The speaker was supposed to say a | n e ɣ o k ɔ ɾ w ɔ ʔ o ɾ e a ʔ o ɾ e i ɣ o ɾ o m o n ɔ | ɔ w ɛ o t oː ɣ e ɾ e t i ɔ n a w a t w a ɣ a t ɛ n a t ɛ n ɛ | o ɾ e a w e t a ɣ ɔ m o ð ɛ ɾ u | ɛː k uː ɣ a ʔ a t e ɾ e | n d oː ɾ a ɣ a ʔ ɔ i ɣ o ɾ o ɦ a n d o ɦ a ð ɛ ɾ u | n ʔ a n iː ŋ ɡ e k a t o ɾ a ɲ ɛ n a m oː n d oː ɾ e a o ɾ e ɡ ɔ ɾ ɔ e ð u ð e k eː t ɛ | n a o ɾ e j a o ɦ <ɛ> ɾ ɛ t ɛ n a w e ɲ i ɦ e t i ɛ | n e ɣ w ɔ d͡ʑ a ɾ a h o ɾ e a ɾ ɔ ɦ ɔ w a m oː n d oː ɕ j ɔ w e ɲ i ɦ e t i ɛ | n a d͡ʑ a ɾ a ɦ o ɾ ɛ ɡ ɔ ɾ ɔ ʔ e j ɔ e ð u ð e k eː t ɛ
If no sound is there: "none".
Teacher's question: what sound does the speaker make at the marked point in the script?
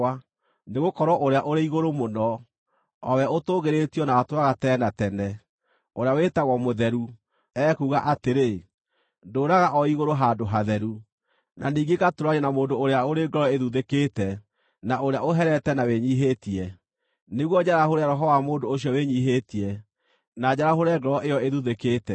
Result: ɛ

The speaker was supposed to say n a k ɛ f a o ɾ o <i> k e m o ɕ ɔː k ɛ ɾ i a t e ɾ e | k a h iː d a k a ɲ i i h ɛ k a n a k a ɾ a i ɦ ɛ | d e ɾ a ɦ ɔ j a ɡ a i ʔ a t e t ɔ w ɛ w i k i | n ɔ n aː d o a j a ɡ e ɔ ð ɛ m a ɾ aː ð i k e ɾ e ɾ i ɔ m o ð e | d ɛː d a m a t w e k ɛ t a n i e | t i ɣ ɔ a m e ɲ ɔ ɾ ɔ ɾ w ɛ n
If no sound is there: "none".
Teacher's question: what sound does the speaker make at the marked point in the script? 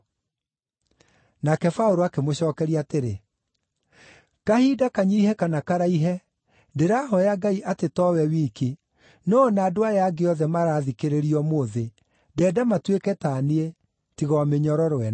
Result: a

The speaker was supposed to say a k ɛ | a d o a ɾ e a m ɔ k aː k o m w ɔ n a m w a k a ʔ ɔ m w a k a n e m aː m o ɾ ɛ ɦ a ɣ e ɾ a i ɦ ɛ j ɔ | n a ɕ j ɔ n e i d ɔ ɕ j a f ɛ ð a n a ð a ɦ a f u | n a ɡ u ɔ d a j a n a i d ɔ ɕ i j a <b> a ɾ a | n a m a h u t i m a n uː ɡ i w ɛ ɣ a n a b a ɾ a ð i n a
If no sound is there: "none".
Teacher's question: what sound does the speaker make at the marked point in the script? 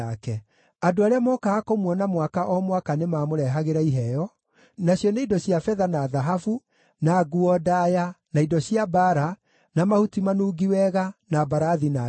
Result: b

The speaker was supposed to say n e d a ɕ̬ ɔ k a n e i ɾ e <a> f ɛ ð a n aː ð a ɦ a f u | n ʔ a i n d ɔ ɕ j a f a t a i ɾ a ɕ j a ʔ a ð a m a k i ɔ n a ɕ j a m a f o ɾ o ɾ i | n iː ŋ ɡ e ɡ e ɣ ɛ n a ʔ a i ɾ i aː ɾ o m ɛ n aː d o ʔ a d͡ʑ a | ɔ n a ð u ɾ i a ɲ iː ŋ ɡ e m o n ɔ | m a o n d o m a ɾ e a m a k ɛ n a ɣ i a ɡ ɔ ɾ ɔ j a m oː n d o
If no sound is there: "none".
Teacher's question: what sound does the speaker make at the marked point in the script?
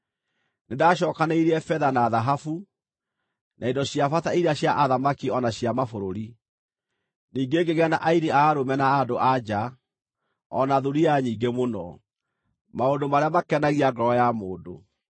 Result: ɛ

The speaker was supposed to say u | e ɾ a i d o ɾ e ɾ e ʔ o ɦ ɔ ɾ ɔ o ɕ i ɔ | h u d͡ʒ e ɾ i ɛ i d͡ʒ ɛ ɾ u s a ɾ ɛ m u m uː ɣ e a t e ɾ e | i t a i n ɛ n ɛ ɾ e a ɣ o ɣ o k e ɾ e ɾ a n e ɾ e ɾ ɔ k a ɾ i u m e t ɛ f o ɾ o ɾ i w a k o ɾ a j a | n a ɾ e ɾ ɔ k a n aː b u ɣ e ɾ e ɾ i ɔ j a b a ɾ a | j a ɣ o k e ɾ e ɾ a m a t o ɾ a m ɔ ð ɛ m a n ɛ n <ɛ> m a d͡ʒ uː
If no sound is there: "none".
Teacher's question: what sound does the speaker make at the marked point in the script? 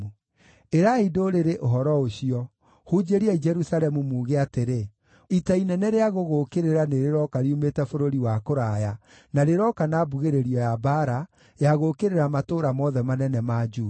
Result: ɛ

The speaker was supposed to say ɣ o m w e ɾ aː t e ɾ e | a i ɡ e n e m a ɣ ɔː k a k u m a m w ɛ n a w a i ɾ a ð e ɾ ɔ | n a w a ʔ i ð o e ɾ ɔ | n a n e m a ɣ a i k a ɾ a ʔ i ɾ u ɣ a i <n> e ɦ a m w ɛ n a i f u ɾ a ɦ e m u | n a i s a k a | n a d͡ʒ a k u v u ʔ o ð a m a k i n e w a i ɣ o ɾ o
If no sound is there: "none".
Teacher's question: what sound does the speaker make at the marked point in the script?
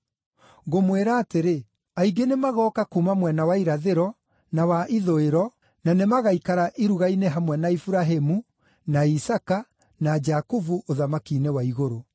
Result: n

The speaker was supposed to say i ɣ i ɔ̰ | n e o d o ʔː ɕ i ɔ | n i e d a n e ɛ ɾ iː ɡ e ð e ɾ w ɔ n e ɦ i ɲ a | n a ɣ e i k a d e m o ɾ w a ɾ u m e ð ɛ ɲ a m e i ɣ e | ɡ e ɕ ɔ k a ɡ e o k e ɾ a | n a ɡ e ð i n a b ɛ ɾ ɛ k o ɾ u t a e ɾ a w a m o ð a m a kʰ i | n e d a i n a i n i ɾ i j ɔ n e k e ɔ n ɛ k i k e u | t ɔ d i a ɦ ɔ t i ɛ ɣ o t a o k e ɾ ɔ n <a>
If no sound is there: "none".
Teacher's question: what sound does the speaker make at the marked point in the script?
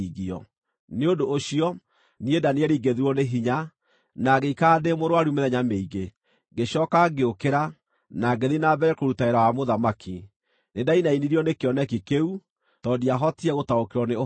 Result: e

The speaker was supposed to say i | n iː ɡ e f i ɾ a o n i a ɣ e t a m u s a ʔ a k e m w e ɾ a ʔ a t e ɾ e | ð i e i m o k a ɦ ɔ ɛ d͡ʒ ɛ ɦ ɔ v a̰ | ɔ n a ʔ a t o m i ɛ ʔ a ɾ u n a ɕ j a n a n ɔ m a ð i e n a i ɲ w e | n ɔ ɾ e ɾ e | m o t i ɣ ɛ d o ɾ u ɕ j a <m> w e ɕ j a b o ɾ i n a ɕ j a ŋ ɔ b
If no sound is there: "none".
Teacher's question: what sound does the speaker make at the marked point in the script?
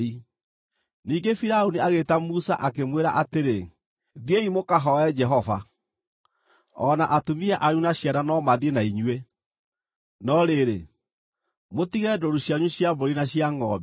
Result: ɲ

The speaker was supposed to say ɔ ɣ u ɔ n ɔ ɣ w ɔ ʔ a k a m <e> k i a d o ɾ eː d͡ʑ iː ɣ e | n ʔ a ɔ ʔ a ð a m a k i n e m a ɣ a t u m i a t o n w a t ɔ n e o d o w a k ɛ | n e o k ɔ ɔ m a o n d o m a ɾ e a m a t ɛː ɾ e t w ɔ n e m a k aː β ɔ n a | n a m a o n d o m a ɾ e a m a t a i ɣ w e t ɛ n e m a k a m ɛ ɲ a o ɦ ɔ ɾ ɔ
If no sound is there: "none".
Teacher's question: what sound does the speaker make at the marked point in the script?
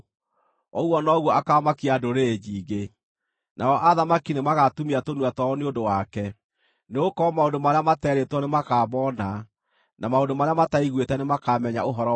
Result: a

